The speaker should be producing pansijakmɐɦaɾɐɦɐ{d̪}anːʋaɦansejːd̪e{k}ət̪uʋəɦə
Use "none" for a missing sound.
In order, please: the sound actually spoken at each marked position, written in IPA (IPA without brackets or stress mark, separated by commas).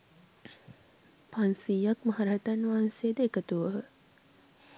t̪, k